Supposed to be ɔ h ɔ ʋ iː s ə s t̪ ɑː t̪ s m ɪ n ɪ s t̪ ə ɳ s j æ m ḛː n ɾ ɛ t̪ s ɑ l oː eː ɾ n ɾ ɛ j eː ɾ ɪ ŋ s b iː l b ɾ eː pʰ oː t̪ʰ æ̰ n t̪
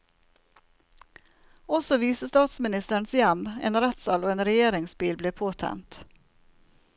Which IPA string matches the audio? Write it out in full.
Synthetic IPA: ɔ s ɔ ʋ iː s ə s t̪ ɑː t̪ s m ɪ n ɪ s t̪ ə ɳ s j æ m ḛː n ɾ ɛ t̪ s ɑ l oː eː n ɾ ɛ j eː ɾ ɪ ŋ s b iː l b l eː pʰ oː t̪ʰ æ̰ n t̪